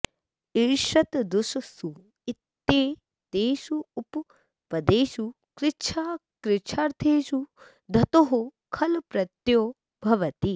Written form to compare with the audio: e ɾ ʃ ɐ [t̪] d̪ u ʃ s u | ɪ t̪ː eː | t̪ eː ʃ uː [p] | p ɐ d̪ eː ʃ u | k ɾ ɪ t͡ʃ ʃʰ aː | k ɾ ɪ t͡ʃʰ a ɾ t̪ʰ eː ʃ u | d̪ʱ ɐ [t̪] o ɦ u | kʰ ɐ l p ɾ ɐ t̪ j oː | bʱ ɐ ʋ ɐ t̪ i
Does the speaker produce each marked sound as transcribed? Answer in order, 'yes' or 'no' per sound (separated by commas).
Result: yes, yes, yes